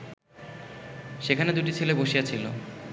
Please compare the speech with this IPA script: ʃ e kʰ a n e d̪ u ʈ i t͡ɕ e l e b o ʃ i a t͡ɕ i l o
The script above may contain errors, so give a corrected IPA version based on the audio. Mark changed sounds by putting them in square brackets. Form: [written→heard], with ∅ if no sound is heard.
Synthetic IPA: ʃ e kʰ a n e d̪ u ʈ i [t͡ɕ→t͡ɕʰ] e l e b o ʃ i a [t͡ɕ→t͡ɕʰ] i l o